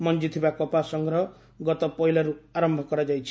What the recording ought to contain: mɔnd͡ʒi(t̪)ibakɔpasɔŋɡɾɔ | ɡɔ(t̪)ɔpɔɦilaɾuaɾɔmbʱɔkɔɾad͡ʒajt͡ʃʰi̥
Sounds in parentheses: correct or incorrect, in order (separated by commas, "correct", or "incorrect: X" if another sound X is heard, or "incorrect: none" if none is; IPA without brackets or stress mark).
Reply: incorrect: t̪ʰ, correct